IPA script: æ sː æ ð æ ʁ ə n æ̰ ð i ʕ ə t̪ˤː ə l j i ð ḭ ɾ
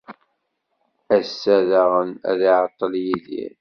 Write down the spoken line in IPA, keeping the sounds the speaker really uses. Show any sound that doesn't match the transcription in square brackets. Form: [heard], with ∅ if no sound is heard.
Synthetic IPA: æ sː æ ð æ ʁ ə n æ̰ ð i ʕ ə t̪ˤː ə l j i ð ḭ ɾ